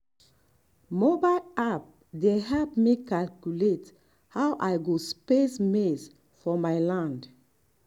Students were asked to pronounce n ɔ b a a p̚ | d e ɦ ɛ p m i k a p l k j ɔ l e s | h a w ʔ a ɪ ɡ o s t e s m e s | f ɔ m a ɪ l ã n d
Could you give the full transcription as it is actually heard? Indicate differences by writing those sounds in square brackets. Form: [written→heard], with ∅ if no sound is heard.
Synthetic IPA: [n→m] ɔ b a a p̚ | d e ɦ ɛ p m i k a [p→∅] l k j [ɔ→u] l e [s→t] | h a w ʔ a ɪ ɡ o s [t→p] e s m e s | f ɔ m a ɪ l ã n d